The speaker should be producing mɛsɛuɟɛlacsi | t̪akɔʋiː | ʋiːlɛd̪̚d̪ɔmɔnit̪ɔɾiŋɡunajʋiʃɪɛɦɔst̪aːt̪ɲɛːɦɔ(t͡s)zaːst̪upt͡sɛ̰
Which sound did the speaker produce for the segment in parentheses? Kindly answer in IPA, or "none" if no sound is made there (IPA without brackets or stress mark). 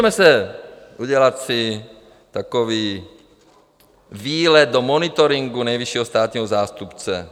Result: none